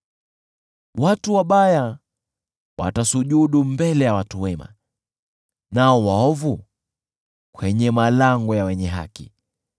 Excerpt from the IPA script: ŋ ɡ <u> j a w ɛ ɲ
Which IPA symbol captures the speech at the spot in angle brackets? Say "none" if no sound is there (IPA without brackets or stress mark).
ɔ